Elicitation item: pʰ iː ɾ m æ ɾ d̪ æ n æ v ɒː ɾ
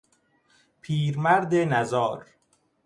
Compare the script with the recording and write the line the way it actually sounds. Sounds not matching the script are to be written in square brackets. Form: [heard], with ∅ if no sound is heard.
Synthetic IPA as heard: pʰ iː ɾ m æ ɾ d̪ [e] n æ [z] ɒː ɾ